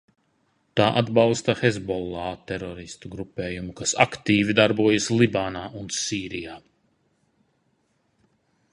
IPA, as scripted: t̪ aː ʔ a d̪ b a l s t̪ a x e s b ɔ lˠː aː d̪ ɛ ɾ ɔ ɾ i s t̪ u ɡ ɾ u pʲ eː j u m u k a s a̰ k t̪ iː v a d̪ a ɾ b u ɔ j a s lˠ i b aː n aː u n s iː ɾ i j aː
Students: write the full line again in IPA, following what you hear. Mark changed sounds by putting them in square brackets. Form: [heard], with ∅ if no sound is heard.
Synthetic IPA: t̪ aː ʔ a d̪ b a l s t̪ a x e [z] b ɔ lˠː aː [t̪] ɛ ɾ ɔ ɾ i s t̪ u ɡ ɾ u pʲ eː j u m u k a s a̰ k t̪ iː v [i] d̪ a ɾ b u ɔ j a s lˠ i b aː n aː u n s iː ɾ i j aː

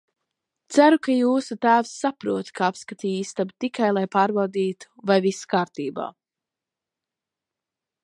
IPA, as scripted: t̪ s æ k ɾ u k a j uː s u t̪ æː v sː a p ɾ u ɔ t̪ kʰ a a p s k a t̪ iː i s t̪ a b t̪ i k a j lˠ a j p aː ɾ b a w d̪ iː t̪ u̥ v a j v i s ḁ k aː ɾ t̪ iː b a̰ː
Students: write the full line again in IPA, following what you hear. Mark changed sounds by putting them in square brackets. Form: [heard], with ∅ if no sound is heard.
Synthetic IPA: t̪ s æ [∅] ɾ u k a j uː s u t̪ æː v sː a p ɾ u ɔ t̪ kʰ a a p s k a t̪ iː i s t̪ a b t̪ i k a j lˠ a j p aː ɾ b a w d̪ iː t̪ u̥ v a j v i s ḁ k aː ɾ t̪ iː b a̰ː

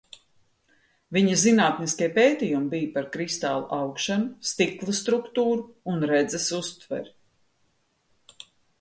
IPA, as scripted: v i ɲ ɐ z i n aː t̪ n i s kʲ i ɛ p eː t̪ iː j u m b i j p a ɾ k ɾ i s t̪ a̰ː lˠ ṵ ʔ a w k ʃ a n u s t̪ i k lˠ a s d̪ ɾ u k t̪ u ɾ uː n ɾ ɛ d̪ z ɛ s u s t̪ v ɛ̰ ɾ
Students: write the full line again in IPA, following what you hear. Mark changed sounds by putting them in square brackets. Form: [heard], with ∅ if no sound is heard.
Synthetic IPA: v i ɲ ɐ z i n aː t̪ n i s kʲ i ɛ p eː t̪ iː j u m b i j p a ɾ k ɾ i s t̪ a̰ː lˠ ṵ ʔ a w k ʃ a n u s t̪ i k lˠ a s [t̪] ɾ u k t̪ [uː] ɾ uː n ɾ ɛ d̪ z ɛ s u s t̪ v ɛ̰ ɾ

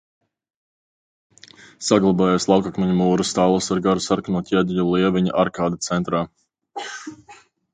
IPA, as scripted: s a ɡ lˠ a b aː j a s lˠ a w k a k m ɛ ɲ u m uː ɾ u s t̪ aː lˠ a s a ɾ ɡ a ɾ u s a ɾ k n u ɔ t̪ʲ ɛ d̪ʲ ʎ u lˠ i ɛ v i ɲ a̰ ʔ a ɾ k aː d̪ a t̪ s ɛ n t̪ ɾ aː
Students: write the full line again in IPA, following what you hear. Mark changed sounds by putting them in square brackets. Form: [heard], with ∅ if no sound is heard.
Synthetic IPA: s a ɡ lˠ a b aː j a s lˠ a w k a k m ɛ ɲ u m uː ɾ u s t̪ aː lˠ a s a ɾ ɡ a ɾ u s a ɾ k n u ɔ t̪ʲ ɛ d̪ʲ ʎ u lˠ i ɛ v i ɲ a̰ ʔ a ɾ k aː d̪ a t̪ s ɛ n t̪ ɾ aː

